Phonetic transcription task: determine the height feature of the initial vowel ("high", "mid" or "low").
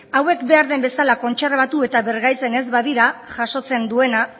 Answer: low